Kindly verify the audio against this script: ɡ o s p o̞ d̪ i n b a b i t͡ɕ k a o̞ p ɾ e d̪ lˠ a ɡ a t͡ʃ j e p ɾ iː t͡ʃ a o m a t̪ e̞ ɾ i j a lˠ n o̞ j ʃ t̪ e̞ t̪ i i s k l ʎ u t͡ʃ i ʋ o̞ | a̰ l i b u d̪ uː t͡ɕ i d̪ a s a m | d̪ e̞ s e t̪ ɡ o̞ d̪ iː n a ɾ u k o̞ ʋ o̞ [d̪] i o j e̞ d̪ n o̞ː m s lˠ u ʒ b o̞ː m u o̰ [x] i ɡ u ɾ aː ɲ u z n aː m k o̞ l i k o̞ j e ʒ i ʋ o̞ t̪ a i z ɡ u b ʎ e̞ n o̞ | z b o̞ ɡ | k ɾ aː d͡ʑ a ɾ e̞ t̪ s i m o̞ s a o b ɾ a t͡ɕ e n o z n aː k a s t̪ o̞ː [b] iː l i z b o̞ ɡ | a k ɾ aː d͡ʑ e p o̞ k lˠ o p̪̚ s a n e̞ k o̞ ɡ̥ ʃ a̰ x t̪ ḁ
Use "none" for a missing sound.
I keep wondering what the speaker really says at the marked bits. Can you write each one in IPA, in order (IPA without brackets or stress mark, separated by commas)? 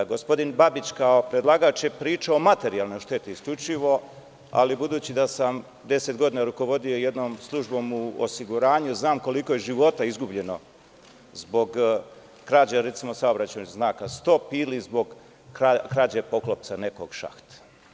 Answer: d̪, s, p